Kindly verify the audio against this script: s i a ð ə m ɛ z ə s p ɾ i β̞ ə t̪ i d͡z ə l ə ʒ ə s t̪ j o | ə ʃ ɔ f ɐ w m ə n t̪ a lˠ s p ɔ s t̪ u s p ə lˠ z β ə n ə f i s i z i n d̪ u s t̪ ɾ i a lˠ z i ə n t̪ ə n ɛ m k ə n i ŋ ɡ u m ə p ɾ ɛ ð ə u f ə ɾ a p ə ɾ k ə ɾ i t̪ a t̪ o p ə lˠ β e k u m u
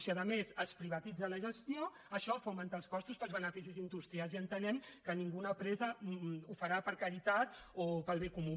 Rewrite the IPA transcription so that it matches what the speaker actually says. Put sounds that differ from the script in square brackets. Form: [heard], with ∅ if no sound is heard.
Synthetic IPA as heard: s i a ð ə m [e] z ə s p ɾ i β̞ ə t̪ i d͡z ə l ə ʒ ə s t̪ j o | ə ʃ ɔ f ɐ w m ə n t̪ a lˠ s [k] ɔ s t̪ u s p ə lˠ z β ə n ə f i s i z i n d̪ u s t̪ ɾ i a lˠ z i ə n t̪ ə n ɛ m k ə n i ŋ ɡ u [n] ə p ɾ ɛ [z] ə u f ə ɾ a p ə ɾ k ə ɾ i t̪ a t̪ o p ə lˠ β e k u m u